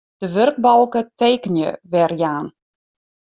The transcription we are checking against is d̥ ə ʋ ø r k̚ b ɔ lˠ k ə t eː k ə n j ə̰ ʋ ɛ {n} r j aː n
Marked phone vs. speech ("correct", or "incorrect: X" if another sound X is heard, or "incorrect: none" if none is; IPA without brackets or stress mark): incorrect: none